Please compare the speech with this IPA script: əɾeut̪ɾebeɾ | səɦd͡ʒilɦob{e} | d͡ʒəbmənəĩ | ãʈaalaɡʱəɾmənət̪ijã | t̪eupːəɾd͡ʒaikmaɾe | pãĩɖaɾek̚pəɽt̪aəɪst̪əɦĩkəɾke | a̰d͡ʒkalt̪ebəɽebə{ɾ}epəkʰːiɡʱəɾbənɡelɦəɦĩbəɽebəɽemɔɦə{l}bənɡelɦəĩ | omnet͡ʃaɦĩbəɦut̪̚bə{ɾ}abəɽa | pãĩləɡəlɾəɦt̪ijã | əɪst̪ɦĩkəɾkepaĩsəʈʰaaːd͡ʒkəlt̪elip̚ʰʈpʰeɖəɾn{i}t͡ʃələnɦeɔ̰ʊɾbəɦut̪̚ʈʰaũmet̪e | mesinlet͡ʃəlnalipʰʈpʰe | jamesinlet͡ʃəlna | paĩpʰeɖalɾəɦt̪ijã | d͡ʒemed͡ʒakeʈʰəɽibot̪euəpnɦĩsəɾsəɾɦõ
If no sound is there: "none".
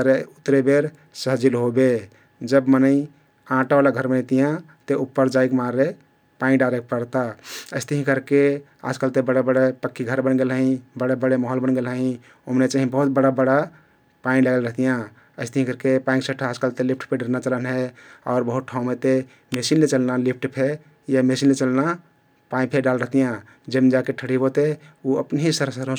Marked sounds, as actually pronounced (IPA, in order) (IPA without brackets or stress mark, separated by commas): e, ɽ, l, ɽ, a